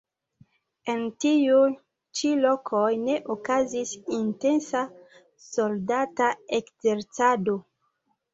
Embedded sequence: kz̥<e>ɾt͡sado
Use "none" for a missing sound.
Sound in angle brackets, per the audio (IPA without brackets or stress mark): e